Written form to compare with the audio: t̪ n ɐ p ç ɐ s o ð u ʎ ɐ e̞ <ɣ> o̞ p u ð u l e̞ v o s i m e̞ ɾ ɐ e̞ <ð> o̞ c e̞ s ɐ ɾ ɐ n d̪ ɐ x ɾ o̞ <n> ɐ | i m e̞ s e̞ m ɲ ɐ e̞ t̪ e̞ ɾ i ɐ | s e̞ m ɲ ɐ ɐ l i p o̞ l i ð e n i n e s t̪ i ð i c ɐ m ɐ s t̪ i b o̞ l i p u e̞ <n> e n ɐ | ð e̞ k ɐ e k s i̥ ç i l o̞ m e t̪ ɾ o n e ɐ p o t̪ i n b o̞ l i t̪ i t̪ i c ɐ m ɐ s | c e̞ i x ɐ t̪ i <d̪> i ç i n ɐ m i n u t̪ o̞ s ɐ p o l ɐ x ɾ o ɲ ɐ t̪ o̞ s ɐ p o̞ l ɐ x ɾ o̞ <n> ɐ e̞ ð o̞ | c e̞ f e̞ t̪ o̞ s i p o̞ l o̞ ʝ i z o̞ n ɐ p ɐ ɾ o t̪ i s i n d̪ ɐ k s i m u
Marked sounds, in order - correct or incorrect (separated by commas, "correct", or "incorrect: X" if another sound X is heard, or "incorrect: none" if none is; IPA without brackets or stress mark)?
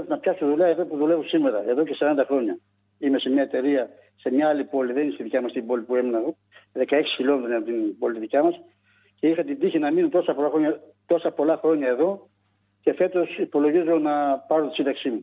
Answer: incorrect: ð, correct, incorrect: ɲ, incorrect: m, correct, incorrect: ɲ